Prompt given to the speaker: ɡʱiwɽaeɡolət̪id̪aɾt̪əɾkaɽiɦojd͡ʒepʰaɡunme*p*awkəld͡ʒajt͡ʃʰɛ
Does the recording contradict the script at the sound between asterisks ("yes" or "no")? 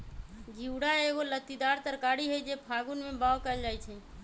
yes